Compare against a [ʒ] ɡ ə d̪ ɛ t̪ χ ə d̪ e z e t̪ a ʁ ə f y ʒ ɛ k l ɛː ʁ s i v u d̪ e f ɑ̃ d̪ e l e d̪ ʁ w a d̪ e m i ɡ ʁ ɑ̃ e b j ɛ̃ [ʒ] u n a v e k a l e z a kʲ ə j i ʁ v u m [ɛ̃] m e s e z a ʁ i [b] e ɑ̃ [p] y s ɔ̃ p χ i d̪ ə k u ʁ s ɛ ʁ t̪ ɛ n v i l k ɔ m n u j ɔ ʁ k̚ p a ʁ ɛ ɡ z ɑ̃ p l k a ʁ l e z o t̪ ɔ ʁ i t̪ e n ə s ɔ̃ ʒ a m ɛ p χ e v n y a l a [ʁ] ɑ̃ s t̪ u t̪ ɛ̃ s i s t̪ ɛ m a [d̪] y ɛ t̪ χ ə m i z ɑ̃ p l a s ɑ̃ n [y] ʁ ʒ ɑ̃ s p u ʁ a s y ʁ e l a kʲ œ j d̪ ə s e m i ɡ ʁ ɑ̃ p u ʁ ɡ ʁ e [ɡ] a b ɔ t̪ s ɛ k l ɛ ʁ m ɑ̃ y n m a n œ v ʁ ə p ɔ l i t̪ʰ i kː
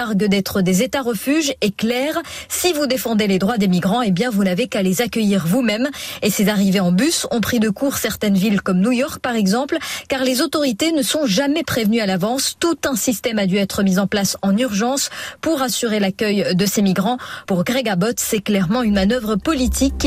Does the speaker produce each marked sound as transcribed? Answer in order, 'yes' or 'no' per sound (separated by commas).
no, no, no, no, no, no, yes, yes, yes